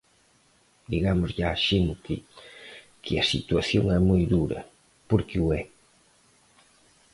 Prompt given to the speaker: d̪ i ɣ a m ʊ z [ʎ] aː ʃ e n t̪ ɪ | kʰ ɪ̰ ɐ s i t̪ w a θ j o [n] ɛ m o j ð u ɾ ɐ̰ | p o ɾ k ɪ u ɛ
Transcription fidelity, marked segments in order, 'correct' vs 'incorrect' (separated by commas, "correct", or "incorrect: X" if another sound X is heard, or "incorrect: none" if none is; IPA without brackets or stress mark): correct, incorrect: ŋ